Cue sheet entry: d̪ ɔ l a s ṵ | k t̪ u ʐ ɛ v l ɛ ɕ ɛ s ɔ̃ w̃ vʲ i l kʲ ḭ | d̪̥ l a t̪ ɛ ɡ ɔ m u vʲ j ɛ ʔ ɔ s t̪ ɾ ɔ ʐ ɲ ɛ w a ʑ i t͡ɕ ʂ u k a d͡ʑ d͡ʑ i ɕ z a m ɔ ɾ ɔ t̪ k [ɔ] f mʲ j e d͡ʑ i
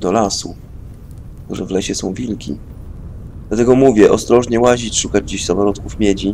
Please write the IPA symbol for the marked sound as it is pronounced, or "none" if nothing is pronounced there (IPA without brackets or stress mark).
u